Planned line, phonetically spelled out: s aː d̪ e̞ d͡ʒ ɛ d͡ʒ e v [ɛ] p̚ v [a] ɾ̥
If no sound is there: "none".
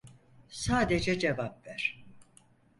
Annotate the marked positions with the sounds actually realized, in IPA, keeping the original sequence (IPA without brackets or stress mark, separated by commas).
a, æ